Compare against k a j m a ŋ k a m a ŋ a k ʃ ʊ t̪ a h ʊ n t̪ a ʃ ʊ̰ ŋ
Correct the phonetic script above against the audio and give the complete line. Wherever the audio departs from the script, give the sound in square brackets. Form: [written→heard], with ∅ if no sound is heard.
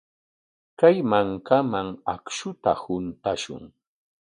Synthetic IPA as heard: k a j m a ŋ k a m a ŋ a k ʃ ʊ t̪ a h ʊ n t̪ a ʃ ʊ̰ ŋ